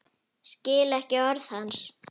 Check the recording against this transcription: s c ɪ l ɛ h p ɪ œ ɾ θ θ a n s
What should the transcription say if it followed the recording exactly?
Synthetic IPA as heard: s c ɪː l ɛ h c ɪ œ ɾ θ h a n s